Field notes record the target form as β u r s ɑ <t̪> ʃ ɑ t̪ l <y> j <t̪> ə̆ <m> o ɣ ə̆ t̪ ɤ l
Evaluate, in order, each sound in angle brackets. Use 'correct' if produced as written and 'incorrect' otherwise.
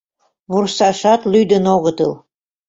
incorrect: none, correct, incorrect: d̪, incorrect: n

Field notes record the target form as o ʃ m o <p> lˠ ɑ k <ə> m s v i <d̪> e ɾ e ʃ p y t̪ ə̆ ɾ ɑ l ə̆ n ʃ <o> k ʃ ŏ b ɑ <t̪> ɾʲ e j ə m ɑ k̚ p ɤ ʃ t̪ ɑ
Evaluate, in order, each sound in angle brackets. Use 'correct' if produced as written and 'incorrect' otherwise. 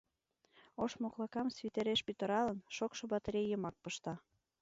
incorrect: k, incorrect: ɑ, incorrect: t̪, correct, correct

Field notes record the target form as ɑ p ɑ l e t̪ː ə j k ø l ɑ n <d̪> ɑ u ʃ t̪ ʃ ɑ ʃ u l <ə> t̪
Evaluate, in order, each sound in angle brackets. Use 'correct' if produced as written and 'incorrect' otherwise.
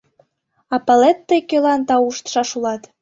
incorrect: t̪, incorrect: ɑ

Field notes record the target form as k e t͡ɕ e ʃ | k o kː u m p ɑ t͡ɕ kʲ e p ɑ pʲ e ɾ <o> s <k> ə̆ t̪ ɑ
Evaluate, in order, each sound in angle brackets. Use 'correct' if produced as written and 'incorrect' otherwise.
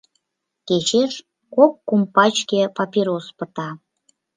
correct, incorrect: p

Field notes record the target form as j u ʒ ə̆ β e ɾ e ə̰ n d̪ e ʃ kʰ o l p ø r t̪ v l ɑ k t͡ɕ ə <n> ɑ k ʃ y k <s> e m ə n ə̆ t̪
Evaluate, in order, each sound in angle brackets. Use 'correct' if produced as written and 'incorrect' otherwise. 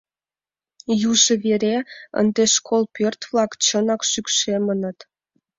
correct, incorrect: ʃ

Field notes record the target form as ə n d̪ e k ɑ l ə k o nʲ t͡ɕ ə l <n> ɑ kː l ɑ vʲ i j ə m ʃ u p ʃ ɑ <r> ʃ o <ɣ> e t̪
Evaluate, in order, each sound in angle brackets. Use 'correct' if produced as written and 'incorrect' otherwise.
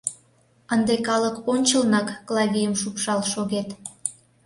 correct, incorrect: l, correct

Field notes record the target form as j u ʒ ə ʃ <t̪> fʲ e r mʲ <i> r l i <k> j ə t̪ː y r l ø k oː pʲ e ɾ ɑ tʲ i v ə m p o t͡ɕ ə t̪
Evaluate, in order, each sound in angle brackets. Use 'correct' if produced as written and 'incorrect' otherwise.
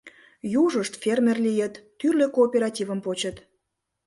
correct, incorrect: e, incorrect: none

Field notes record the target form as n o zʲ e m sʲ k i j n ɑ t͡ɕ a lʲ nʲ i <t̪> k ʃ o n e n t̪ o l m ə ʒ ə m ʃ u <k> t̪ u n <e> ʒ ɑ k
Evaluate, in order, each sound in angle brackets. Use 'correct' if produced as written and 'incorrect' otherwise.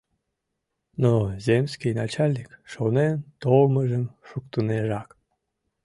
incorrect: none, correct, correct

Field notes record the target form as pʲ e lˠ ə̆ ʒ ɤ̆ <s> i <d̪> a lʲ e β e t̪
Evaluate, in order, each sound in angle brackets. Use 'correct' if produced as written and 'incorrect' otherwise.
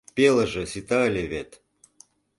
correct, incorrect: t̪

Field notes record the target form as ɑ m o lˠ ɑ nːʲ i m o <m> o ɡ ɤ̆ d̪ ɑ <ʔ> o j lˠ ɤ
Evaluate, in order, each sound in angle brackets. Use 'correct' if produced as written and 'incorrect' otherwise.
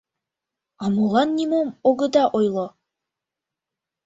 correct, correct

